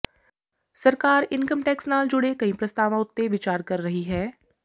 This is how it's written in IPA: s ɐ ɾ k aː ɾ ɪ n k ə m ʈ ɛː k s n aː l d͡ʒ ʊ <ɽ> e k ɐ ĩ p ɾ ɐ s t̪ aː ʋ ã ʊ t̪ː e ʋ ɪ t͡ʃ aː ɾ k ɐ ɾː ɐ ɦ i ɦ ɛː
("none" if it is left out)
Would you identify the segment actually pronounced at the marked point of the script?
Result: ɽ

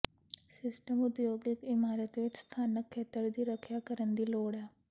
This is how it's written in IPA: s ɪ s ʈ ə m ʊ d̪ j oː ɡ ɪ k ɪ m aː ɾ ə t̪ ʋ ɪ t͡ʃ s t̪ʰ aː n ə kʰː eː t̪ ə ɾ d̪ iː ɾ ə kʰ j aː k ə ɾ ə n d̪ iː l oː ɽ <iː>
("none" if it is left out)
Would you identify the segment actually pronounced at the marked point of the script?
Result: ɛː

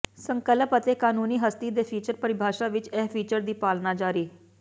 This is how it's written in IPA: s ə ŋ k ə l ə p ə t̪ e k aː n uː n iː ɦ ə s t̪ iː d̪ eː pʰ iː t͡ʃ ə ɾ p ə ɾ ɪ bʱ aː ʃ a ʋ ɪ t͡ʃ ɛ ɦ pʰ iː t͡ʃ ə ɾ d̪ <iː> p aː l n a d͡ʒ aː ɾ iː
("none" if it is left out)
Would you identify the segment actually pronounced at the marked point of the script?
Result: iː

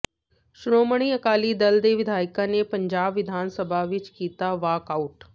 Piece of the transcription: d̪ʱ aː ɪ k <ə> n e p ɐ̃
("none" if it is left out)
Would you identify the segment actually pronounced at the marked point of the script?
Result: a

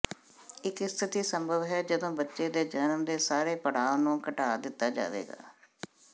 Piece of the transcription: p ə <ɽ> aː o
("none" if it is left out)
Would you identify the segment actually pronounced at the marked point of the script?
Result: ɽ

